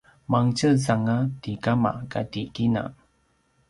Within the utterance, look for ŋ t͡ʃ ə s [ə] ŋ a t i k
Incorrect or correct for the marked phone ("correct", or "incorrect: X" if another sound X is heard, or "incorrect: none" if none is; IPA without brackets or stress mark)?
incorrect: a